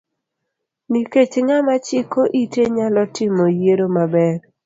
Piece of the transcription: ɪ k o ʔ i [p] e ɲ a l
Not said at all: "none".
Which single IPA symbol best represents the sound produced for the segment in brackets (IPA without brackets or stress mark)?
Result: t